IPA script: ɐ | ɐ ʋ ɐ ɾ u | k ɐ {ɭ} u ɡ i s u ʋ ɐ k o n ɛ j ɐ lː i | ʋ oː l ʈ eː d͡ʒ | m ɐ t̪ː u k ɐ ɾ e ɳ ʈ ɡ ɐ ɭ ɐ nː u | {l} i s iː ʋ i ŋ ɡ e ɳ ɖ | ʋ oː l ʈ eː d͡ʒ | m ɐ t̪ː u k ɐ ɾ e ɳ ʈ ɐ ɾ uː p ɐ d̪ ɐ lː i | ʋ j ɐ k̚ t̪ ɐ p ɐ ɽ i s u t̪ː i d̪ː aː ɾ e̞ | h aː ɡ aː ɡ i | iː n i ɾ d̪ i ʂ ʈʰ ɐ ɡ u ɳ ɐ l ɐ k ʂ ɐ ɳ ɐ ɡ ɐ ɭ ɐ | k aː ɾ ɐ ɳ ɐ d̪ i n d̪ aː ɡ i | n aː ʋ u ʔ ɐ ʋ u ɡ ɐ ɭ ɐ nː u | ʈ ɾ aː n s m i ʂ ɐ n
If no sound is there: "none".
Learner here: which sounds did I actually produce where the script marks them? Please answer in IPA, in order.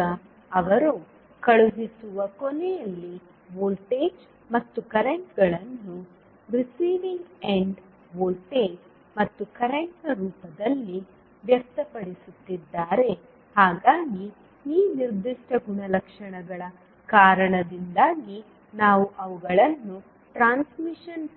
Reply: ɭ, ɾ

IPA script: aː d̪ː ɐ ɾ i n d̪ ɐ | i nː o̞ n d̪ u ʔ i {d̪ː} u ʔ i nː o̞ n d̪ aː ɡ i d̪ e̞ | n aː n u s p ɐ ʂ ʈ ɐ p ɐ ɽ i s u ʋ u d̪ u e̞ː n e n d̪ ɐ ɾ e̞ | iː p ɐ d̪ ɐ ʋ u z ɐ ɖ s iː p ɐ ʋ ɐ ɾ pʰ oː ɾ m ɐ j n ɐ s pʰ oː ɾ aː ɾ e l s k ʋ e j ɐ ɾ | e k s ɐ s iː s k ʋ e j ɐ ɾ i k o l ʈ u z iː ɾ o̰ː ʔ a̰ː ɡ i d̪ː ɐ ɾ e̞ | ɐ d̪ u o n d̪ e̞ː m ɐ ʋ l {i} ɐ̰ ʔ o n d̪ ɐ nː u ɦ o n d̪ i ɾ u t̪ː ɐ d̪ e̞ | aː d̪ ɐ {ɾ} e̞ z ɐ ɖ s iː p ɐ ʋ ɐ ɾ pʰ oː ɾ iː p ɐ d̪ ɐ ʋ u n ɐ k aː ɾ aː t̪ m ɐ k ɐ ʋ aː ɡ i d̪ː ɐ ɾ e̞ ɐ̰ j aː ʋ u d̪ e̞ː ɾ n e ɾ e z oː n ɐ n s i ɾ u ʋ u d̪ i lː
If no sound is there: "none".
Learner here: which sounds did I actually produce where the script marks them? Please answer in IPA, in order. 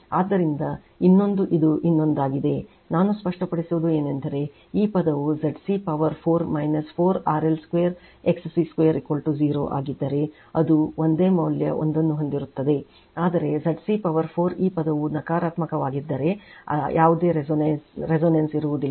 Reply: d̪, j, ɾ

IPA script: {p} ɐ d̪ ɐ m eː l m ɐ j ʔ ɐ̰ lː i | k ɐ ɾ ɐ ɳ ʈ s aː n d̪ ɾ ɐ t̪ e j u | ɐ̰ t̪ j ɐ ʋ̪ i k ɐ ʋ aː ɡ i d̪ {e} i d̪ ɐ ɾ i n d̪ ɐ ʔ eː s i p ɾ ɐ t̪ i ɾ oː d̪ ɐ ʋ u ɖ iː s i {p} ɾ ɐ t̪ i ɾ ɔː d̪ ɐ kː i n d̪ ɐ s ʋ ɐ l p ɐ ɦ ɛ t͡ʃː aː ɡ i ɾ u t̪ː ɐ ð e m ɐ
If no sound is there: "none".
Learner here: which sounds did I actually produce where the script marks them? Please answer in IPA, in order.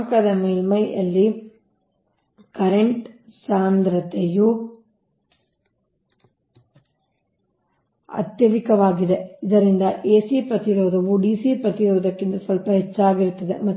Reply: k, e, p

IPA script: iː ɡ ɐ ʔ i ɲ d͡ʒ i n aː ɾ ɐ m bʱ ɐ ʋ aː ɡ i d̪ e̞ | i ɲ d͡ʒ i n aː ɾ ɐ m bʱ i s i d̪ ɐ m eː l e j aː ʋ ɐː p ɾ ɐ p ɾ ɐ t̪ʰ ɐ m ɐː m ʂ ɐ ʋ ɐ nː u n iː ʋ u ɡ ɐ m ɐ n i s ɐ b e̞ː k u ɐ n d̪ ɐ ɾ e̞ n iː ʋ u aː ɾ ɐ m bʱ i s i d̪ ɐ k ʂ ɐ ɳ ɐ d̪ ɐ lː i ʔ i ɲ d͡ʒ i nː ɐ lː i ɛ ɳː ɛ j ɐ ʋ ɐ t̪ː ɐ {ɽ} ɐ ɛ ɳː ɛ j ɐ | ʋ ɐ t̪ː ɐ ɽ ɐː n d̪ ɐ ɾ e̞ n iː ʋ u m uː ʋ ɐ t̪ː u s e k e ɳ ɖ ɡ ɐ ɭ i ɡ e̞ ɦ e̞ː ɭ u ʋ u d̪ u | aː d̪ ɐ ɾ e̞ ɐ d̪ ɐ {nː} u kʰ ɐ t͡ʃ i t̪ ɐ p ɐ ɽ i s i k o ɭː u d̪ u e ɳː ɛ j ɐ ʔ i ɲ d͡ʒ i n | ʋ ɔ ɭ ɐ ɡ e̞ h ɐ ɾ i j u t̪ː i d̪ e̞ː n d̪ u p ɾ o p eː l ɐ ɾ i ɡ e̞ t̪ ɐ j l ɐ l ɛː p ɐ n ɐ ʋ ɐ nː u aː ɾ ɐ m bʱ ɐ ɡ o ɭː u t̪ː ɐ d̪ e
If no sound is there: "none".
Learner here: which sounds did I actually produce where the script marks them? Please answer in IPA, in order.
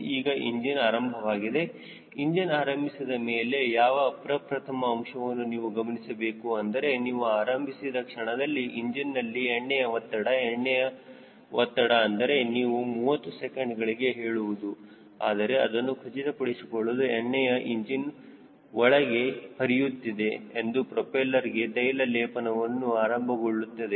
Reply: ɽ, nː

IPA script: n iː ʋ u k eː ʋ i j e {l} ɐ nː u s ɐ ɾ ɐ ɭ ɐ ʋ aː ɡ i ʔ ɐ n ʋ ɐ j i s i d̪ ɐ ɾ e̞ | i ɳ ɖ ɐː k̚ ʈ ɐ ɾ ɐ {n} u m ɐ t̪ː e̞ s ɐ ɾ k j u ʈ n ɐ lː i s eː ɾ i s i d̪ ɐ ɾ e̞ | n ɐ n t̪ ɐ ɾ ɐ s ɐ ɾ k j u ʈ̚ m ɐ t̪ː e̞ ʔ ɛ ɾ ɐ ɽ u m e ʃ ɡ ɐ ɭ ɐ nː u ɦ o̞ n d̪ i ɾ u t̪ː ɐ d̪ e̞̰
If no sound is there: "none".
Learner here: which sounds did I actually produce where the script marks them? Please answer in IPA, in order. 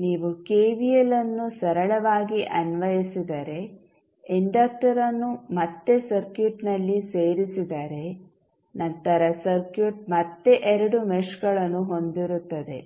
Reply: l, nː

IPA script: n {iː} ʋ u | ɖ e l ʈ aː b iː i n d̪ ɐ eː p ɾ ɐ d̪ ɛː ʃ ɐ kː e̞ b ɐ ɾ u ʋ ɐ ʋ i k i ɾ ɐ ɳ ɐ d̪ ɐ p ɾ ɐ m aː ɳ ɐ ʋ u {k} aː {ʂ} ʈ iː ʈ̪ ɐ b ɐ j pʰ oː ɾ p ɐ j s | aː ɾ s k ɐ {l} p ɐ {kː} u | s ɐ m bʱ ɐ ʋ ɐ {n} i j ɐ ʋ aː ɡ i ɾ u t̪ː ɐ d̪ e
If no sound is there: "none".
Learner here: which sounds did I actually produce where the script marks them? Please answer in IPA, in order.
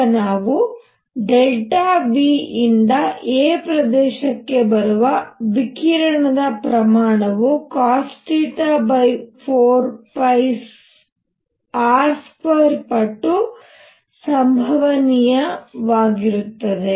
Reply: aː, k, s, ɾ, ʈː, n

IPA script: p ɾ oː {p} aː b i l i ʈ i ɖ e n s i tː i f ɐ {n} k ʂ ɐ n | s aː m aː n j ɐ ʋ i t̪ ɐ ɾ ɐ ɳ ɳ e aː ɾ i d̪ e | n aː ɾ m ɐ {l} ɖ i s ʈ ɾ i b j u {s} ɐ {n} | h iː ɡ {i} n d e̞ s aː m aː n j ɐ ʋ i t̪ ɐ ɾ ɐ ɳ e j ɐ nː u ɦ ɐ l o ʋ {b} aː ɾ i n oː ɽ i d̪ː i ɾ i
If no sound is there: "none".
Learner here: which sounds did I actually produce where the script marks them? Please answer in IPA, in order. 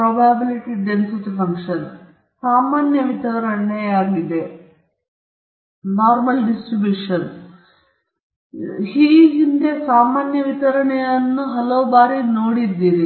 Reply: b, ŋ, l, ʂ, n, i, b

